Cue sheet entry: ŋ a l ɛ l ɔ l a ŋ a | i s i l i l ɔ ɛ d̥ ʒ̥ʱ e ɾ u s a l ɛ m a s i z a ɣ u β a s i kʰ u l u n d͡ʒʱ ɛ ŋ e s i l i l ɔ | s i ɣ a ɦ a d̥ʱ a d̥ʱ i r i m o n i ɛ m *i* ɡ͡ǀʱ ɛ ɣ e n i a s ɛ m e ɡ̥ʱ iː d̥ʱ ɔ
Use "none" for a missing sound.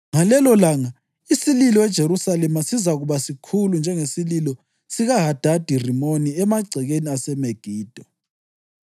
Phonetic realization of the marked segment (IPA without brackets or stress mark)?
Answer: a